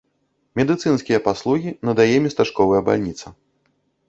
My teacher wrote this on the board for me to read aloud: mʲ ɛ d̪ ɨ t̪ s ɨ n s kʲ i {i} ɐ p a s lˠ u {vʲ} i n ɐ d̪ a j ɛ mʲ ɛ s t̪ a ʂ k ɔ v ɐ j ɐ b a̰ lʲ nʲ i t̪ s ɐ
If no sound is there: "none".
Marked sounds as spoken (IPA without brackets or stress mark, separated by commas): j, ɣʲ